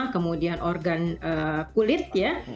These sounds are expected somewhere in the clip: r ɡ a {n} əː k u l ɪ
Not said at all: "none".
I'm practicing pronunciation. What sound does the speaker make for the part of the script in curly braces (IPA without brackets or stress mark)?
n